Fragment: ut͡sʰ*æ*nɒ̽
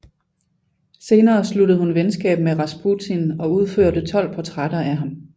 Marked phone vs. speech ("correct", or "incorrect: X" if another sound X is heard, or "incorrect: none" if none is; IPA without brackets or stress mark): incorrect: i